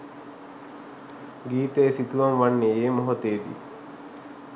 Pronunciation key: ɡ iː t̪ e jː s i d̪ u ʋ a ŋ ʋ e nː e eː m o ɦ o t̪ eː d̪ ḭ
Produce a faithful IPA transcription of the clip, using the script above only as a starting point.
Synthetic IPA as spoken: ɡ iː t̪ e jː s i t̪ u ʋ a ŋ ʋ a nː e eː m o ɦ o t̪ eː d̪ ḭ